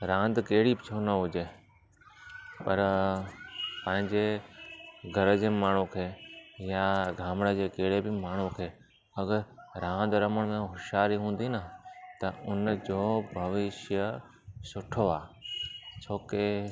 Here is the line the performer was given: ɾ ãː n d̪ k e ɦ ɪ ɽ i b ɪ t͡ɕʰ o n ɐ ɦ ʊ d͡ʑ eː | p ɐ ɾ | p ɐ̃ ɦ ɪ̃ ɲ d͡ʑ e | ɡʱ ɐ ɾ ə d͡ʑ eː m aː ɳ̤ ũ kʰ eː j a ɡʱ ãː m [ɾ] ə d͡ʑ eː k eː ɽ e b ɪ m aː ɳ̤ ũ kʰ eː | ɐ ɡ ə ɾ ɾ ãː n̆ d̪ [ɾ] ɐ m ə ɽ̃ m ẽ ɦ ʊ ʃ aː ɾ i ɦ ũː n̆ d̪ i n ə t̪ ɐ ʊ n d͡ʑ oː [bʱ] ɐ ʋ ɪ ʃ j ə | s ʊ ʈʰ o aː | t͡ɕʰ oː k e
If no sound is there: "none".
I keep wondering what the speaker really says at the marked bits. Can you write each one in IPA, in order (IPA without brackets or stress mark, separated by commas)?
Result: ɽ, ɾ, bʱ